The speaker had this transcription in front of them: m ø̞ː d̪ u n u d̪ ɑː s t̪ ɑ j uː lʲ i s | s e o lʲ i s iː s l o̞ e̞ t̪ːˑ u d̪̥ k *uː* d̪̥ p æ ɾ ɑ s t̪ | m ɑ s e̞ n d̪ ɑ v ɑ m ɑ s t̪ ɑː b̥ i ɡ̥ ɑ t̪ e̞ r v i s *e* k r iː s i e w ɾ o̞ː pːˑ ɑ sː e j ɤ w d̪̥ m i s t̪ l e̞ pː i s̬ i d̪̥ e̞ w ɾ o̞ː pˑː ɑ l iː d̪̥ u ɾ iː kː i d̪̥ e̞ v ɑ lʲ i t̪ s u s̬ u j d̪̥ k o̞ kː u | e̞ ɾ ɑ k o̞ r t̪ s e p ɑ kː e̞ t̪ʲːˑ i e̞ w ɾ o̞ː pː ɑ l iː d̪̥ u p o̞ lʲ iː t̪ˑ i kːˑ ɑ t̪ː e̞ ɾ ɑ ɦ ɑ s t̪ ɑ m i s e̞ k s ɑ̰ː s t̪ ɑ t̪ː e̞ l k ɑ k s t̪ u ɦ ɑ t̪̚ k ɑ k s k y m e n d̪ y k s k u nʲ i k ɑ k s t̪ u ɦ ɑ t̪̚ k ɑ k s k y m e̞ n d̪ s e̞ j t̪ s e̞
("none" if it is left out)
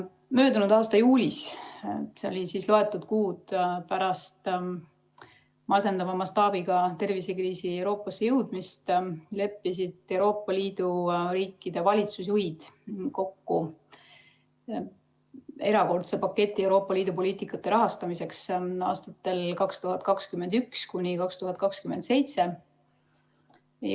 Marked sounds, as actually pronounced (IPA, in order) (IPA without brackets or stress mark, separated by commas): uː, e